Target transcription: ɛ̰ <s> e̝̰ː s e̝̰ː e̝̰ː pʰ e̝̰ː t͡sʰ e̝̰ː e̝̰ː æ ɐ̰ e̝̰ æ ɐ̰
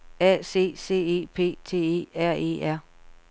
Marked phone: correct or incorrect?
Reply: correct